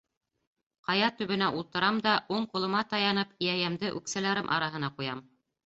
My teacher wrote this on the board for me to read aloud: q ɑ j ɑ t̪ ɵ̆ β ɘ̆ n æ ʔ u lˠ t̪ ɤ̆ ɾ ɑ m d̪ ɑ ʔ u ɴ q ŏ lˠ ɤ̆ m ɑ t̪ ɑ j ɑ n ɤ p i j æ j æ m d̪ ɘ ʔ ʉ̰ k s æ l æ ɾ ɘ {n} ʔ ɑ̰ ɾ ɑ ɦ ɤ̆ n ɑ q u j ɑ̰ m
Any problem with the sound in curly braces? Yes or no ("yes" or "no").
yes